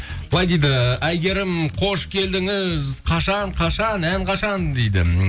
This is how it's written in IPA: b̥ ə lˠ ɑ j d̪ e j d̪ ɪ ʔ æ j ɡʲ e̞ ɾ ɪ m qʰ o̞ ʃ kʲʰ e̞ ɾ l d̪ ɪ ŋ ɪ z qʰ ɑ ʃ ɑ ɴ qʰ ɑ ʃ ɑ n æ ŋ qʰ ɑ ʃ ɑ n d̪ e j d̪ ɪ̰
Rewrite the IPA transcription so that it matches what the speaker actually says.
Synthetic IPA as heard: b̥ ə lˠ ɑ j d̪ e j d̪ ɪ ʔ æ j ɡʲ e̞ ɾ ɪ m qʰ o̞ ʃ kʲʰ e̞ l d̪ ɪ ŋ ɪ z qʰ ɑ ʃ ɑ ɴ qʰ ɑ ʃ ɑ n æ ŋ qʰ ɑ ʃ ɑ n d̪ e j d̪ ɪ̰

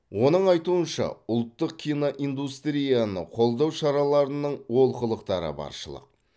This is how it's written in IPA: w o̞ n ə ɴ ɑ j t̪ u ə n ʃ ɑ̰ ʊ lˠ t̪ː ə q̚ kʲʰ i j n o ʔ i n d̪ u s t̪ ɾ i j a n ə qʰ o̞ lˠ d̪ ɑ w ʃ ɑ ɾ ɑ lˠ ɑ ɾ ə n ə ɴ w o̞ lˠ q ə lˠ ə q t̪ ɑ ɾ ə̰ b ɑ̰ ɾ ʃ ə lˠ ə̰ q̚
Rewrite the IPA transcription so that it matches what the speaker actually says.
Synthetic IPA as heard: w o̞ n ə ɴ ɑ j t̪ u ə n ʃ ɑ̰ ʊ lˠ t̪ː ə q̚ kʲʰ i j n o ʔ i n d̪ u s t̪ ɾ i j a n ə qʰ o̞ lˠ d̪ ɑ w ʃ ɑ ɾ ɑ lˠ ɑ ɾ ə n ə ɴ w o̞ lˠ q ə lˠ ə q t̪ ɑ ɾ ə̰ b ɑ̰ ɾ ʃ ə lˠ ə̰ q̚

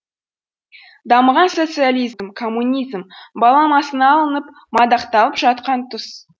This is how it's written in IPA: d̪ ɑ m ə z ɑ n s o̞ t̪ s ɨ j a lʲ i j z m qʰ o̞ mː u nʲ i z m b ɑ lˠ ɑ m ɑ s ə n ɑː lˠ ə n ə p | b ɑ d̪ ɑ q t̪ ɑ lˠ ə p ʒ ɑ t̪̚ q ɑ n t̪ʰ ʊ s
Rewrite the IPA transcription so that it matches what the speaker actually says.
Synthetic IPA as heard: d̪ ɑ m ə ʁ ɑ n s o̞ t̪ s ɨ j a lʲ i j z m kʰ o̞ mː u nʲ i z m b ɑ lˠ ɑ m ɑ s ə n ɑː lˠ ə n ə p | m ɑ d̪ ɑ q t̪ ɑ lˠ ə p ʒ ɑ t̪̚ q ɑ n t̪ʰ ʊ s

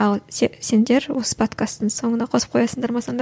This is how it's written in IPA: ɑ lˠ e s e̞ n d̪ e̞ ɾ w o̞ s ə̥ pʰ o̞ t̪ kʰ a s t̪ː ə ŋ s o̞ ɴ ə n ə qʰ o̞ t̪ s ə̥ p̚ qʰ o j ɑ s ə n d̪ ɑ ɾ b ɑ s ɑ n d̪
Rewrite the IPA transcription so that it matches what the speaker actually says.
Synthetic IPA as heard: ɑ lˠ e s e̞ n d̪ e̞ ɾ w o̞ s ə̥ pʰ o̞ t̪ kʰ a s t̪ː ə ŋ s o̞ ɴ ə n ɑ qʰ o̞ s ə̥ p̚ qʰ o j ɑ s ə n d̪ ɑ ɾ m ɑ s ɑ n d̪

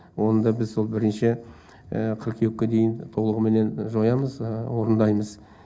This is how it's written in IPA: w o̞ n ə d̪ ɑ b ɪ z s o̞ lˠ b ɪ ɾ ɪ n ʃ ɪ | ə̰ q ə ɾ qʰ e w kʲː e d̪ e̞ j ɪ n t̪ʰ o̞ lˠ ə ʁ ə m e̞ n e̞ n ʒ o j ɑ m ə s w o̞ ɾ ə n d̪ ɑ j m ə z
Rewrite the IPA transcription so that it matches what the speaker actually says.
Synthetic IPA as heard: w o̞ n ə d̪ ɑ b ɪ z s o̞ lˠ b ɪ ɾ ɪ n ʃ ɪ | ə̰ qʰ ə ɾ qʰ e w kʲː e d̪ e̞ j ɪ n t̪ʰ o̞ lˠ ə ʁ ə m e̞ n e̞ n ʒ o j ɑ m ə z w o̞ ɾ ə n d̪ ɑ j m ə z

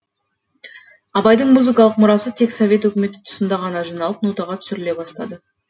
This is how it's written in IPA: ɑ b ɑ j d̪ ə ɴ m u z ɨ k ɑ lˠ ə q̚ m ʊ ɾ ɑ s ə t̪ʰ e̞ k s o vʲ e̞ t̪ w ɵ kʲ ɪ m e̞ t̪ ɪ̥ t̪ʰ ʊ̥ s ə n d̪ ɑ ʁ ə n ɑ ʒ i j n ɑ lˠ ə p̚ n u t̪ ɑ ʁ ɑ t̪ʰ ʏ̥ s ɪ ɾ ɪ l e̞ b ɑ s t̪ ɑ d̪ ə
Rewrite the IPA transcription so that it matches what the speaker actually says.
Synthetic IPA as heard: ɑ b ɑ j d̪ ə ɴ m u z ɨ k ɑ lˠ ə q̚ m ʊ ɾ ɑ s ə t̪ʰ e̞ k s o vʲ e̞ t̪ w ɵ kʲ ɪ m e̞ t̪ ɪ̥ t̪ʰ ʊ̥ s ə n d̪ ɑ ʁ ɑ n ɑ ʒ i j n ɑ lˠ ə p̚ n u t̪ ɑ ʁ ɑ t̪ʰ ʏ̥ s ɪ ɾ ɪ l e̞ b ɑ s t̪ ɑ d̪ ə

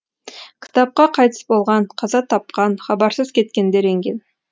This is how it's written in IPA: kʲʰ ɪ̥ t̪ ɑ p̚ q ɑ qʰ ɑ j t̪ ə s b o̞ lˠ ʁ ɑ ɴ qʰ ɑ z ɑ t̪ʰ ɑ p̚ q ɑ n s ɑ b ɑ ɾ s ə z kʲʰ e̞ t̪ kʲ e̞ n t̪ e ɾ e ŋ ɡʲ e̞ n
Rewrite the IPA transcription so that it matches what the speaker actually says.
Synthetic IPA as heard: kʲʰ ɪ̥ t̪ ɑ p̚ q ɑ qʰ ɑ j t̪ ə s b o̞ lˠ ʁ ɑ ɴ qʰ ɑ z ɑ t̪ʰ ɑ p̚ q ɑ n χ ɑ b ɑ ɾ s ə z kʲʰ e̞ t̪ kʲ e̞ n d̪ e ɾ e ŋ ɡʲ e̞ n

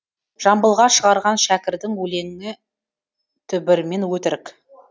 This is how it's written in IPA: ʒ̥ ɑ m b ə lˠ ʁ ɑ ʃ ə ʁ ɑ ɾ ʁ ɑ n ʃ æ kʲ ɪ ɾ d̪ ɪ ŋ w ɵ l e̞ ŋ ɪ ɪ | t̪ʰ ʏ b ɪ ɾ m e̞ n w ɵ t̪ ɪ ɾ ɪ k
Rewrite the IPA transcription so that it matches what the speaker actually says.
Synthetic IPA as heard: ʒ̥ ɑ m b ə lˠ ʁ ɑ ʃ ə ʁ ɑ ɾ ʁ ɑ n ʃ æ kʲ ɪ ɾ d̪ ɪ ŋ w ɵ l e̞ ŋ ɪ ɪ | t̪ʰ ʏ b ɪ ɾ m e̞ n w ɵ t̪ ɪ ɾ ɪ k

